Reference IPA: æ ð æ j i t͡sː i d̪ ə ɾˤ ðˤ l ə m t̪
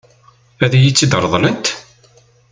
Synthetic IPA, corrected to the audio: æ ð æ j i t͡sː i d̪ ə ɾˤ ðˤ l ə n t̪